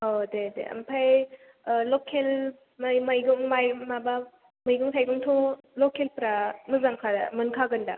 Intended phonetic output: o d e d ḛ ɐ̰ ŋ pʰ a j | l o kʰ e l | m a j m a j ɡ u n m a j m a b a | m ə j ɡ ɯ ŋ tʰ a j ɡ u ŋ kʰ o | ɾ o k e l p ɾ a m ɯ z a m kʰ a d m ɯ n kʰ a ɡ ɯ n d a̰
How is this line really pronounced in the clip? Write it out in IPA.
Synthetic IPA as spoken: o d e d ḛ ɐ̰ m pʰ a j | l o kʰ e l | m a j m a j ɡ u ŋ m a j m a b a | m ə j ɡ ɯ ŋ tʰ a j ɡ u ŋ tʰ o | l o k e l p ɾ a m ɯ z a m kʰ a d m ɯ n kʰ a ɡ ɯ n d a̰